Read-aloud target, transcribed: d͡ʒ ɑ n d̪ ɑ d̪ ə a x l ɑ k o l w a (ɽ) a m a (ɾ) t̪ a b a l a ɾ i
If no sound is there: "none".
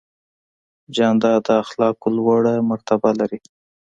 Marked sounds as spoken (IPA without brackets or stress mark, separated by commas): ɽ, ɾ